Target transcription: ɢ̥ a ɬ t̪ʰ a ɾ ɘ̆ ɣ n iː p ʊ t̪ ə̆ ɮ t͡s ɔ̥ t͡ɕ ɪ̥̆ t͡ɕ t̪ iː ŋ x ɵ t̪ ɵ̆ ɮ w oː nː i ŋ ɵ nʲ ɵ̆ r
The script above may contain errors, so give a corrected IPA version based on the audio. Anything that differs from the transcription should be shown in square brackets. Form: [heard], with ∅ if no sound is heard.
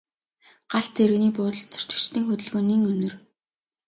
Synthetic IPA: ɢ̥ a ɬ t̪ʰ [e] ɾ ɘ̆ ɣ n iː p [ʊː] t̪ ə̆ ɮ t͡s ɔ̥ t͡ɕ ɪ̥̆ t͡ɕ t̪ iː ŋ x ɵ t̪ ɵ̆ ɮ [ɣ] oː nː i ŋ ɵ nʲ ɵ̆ r